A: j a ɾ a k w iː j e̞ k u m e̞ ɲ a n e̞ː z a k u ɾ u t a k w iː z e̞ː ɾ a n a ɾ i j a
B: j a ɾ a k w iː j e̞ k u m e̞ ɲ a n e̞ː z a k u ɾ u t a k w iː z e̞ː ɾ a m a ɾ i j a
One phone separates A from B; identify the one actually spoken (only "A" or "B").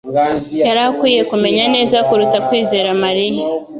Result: B